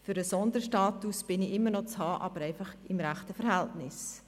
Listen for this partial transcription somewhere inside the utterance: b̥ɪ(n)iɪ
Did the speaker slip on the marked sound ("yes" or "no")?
no